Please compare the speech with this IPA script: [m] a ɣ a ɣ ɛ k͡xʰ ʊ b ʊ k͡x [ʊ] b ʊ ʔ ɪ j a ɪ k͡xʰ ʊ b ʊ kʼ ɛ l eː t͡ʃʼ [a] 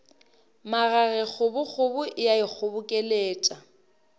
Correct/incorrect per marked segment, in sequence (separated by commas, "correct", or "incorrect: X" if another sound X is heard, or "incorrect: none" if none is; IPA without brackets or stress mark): correct, correct, correct